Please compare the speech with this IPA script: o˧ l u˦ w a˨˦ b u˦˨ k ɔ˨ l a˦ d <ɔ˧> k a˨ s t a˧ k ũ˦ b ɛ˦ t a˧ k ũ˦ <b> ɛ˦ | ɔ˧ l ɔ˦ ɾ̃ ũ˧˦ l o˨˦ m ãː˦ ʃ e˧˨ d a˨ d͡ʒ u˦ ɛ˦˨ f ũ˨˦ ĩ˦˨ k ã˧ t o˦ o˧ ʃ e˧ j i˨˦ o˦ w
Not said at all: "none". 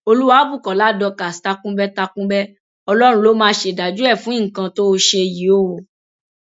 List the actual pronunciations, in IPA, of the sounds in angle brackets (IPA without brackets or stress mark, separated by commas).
ɔ˧, b